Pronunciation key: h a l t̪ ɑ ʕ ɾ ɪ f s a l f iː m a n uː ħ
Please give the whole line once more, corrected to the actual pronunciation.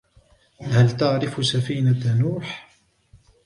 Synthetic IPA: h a l t̪ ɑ ʕ ɾ ɪ f s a f iː n a n uː ħ